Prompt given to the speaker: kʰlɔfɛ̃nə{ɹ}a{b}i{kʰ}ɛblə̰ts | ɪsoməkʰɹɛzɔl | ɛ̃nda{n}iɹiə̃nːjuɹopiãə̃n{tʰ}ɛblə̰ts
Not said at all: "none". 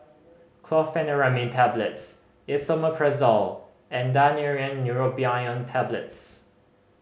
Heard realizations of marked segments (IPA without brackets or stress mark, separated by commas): ɹ, m, tʰ, n, tʰ